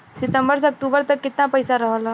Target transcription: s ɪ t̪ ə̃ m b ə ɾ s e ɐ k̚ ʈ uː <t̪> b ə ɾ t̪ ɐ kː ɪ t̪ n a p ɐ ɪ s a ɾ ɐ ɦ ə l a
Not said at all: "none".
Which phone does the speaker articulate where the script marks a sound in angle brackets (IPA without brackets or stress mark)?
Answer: none